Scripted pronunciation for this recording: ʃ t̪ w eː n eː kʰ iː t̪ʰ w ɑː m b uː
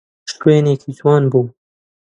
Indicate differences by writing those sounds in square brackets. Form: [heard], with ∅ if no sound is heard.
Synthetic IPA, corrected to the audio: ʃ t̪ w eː n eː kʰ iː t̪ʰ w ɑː [n] b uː

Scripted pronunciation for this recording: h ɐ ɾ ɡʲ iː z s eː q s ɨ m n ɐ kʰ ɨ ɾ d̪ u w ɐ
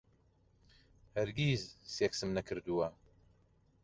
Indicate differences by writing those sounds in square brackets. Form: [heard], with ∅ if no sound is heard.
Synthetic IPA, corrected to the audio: h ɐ ɾ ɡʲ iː z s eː [k] s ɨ m n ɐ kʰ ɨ ɾ d̪ u w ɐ

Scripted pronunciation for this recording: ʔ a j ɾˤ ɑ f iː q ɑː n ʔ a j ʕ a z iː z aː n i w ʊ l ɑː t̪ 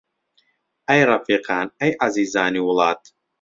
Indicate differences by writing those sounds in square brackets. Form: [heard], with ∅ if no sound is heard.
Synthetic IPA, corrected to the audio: ʔ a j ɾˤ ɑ f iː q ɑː n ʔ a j ʕ a z iː z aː n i w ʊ l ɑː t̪

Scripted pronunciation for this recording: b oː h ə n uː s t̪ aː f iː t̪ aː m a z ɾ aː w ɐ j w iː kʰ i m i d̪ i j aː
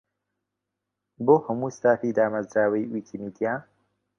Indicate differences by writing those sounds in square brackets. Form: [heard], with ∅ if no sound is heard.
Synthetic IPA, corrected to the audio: b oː h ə [m] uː s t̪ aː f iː [d̪] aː m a z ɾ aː w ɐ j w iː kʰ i m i d̪ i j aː

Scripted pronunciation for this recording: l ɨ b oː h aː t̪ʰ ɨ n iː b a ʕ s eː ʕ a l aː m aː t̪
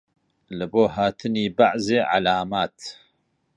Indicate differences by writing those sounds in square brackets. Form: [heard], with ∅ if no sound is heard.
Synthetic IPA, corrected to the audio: l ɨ b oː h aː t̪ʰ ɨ n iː b a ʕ [z] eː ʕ a l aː m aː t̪

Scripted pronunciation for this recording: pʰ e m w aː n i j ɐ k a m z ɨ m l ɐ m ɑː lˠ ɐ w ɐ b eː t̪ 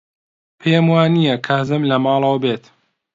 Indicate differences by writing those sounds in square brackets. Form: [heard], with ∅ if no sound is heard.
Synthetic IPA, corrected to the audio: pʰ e m w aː n i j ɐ [kʰ] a [∅] z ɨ m l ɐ m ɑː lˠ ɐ w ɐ b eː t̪

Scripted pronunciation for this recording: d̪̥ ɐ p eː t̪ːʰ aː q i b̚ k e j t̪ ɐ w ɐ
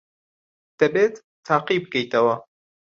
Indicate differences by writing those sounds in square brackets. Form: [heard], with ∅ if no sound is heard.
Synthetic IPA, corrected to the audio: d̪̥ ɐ [b] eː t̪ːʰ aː q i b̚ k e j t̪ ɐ w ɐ

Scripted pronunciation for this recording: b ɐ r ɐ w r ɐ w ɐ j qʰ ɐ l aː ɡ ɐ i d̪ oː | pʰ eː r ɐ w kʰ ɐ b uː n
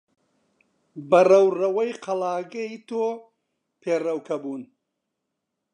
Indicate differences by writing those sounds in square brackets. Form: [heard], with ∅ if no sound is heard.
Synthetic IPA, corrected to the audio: b ɐ r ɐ w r ɐ w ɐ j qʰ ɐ l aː ɡ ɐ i [t̪] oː | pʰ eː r ɐ w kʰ ɐ b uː n

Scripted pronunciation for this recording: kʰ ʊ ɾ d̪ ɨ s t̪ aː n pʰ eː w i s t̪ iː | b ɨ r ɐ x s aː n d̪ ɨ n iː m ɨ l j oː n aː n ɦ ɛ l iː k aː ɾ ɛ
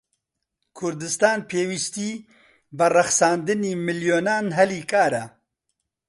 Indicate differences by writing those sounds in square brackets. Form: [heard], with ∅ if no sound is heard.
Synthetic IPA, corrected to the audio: kʰ ʊ ɾ d̪ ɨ s t̪ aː n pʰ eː w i s t̪ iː | b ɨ r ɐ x s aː n d̪ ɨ n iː m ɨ l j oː n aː n ɦ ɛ l iː k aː ɾ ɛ

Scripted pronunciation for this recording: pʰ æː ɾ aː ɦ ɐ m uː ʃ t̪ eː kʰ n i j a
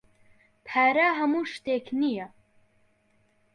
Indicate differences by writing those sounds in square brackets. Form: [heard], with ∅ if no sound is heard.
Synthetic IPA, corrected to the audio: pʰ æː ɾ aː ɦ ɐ m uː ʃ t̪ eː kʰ n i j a

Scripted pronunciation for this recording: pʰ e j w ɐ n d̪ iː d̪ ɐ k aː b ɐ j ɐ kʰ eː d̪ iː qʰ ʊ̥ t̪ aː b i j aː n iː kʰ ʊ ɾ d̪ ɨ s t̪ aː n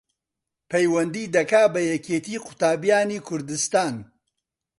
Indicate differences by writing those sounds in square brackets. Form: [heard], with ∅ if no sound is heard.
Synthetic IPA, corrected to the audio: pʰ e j w ɐ n d̪ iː d̪ ɐ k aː b ɐ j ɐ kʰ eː [t̪] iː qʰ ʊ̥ t̪ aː b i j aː n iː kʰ ʊ ɾ d̪ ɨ s t̪ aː n

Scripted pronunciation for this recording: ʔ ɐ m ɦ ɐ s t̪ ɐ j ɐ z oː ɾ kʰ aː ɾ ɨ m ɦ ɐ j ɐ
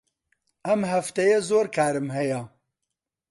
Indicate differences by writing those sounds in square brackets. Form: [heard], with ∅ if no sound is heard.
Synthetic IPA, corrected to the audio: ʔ ɐ m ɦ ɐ [f] t̪ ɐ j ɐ z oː ɾ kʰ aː ɾ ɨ m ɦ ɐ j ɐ

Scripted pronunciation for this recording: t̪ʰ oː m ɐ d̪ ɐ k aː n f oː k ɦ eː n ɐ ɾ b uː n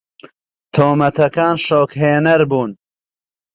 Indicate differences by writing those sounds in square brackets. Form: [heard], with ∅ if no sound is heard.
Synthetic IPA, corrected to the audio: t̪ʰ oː m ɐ [t̪] ɐ k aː n [ʃ] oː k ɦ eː n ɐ ɾ b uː n

